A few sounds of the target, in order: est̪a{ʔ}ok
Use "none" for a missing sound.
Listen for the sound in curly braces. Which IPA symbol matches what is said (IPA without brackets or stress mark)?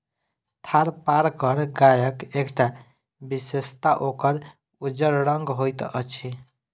ʔ